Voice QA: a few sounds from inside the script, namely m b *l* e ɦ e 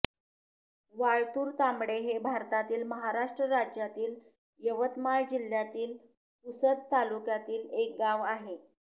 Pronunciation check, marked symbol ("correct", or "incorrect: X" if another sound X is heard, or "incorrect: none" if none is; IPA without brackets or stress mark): incorrect: ɽ